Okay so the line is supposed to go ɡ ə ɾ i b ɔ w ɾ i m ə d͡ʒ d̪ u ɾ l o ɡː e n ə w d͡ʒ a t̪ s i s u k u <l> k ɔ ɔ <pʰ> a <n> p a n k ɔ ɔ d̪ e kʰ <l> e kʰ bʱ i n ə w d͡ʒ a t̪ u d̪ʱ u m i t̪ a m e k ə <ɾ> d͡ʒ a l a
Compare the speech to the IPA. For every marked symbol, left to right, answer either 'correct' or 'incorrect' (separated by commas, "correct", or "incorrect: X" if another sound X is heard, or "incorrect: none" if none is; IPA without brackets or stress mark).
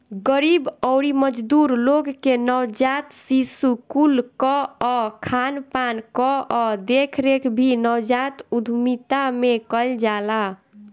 correct, incorrect: kʰ, correct, incorrect: ɾ, incorrect: l